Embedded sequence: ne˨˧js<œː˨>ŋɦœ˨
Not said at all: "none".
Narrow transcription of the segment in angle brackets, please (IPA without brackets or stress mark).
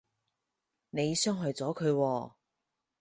œː˥